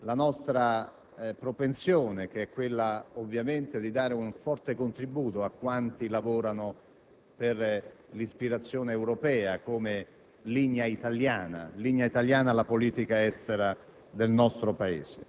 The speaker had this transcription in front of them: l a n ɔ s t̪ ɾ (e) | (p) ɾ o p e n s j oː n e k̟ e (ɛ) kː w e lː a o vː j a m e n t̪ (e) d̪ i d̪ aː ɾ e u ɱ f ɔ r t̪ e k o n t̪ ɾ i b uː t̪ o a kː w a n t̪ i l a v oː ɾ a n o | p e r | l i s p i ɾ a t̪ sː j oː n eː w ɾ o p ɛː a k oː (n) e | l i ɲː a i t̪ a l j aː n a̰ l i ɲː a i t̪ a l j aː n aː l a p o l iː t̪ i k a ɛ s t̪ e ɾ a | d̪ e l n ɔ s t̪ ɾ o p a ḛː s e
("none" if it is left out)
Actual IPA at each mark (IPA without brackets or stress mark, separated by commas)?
a, p, ɛ, e, m